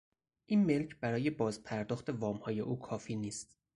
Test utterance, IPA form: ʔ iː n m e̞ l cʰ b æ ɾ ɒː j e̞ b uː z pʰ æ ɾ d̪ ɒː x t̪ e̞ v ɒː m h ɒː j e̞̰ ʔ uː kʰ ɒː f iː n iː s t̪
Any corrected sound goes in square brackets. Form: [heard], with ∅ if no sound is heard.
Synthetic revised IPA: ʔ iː n m e̞ l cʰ b æ ɾ ɒː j e̞ b [ɒː] z pʰ æ ɾ d̪ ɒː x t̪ e̞ v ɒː m h ɒː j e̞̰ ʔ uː kʰ ɒː f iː n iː s t̪